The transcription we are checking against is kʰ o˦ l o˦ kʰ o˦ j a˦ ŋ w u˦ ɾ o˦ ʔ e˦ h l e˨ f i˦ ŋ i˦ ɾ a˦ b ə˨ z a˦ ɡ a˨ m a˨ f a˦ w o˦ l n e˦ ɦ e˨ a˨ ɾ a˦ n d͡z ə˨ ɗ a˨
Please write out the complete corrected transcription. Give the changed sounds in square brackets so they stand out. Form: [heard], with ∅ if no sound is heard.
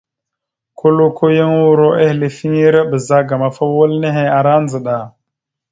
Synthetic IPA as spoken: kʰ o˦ l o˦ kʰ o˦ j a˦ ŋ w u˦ ɾ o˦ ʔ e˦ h l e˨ f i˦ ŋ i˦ ɾ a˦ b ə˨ z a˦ ɡ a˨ m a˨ f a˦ w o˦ l n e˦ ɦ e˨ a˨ ɾ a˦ n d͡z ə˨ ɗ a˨